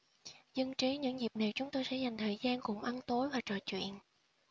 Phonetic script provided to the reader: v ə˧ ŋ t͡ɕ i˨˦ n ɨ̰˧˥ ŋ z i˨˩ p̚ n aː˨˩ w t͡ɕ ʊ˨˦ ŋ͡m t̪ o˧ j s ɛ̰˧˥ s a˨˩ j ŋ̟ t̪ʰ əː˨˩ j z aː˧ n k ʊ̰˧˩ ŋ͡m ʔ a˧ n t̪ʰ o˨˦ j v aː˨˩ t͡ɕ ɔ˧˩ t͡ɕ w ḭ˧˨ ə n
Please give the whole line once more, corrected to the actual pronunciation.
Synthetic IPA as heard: z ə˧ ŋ t͡ɕ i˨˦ ɲ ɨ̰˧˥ ŋ z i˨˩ p̚ n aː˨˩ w t͡ɕ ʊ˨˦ ŋ͡m t̪ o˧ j s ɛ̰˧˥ z a˨˩ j ŋ̟ t̪ʰ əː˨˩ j z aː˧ n k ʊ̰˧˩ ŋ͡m ʔ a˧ n t̪ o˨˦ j v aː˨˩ t͡ɕ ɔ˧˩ t͡ɕ w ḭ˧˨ ə n

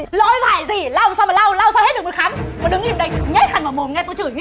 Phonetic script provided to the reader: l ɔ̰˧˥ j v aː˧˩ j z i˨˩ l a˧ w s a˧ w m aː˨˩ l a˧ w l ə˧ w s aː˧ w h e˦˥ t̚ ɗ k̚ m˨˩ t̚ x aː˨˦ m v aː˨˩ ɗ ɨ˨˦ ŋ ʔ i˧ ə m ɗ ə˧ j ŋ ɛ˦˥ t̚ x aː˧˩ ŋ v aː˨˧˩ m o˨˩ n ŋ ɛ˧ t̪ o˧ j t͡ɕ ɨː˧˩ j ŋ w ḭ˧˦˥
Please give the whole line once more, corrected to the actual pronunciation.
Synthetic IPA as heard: l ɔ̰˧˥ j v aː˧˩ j z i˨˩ l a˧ w s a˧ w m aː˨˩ l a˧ w l a˧ w s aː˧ w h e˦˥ t̚ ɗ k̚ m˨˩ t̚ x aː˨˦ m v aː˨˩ ɗ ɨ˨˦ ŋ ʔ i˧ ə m ɗ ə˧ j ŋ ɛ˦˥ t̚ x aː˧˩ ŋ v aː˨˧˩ m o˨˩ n ŋ ɛ˧ t̪ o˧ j t͡ɕ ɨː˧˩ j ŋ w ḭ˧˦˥

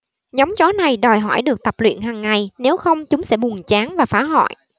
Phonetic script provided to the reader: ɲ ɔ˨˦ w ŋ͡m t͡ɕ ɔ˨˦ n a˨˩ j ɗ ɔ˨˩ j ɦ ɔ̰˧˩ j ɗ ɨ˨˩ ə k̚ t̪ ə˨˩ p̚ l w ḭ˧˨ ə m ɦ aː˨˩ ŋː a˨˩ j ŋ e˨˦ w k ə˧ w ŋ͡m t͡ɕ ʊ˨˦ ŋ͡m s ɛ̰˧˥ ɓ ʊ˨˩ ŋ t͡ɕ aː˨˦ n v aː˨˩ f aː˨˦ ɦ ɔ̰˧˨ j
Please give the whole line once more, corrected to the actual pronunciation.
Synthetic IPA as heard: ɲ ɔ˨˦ w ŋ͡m t͡ɕ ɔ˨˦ n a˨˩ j ɗ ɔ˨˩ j ɦ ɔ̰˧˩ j ɗ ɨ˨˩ ə k̚ t̪ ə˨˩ p̚ l w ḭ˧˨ ə n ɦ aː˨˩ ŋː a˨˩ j n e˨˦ w x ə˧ w ŋ͡m t͡ɕ ʊ˨˦ ŋ͡m s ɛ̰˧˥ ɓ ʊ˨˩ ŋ t͡ɕ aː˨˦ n v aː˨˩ f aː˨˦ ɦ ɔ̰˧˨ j

